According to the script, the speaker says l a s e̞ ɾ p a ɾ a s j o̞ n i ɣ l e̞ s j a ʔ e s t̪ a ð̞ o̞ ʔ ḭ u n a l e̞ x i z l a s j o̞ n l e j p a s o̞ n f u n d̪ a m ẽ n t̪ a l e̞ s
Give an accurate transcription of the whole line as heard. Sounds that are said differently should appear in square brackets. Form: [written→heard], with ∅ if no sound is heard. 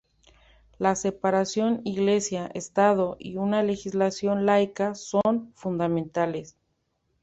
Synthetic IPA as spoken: l a s e̞ [ɾ→∅] p a ɾ a s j o̞ n i ɣ l e̞ s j a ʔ e s t̪ a ð̞ o̞ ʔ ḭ u n a l e̞ x i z l a s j o̞ n l [e→a] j [p→k] a s o̞ n f u n d̪ a m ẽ n t̪ a l e̞ s